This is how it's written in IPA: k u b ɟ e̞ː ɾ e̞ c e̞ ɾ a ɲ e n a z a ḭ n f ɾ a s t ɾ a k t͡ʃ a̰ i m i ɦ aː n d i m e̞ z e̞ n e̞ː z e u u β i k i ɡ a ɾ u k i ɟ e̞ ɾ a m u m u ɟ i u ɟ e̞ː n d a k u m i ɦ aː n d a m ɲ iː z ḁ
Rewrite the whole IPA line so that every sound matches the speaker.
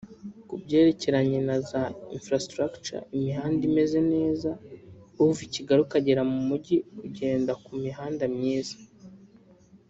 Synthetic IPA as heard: k u b ɟ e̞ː ɾ e̞ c e̞ ɾ a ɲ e n a z a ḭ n f ɾ a s t ɾ a k t͡ʃ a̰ i m i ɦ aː n d i m e̞ z e̞ n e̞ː z a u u v i c i ɡ a ɾ u k a ɟ e̞ ɾ a m u m u ɟ i u ɟ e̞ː n d a k u m i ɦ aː n d a m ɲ iː z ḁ